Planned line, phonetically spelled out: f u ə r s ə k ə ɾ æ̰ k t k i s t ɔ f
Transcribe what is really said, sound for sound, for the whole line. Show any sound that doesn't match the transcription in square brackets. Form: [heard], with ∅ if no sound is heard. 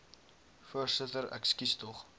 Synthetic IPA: f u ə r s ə [t] ə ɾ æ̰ k [s] k i s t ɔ [χ]